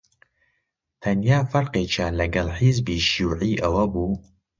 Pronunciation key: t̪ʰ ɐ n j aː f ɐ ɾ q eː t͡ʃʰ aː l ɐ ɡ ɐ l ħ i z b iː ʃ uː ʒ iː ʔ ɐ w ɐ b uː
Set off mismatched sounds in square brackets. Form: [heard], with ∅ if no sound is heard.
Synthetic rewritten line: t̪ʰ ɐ n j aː f ɐ ɾ q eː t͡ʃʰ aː l ɐ ɡ ɐ l ħ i z b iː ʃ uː [ʕ] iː ʔ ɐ w ɐ b uː